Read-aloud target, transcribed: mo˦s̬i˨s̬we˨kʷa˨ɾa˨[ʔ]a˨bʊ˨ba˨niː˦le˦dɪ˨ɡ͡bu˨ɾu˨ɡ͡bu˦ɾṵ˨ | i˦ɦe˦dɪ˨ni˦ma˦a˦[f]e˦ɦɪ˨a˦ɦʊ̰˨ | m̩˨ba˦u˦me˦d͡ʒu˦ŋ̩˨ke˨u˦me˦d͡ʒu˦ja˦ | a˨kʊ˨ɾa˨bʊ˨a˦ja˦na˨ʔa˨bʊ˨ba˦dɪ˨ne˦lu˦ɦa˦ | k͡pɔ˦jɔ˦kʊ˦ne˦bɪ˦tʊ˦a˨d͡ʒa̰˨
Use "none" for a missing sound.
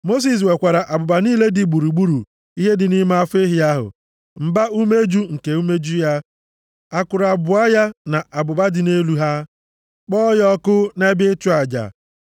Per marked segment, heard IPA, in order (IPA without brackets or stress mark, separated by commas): ʔ, f